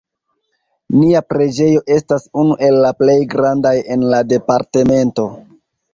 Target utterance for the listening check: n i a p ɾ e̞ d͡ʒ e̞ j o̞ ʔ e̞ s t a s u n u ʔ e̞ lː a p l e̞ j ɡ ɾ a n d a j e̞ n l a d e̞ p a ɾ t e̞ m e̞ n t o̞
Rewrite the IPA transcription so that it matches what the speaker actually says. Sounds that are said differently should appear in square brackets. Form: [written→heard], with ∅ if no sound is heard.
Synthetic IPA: n i a p ɾ e̞ d͡ʒ e̞ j o̞ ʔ e̞ s t a s u n u ʔ e̞ lː a p l e̞ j ɡ ɾ a n d a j e̞ n l a d e̞ p a ɾ t e̞ m e̞ n t o̞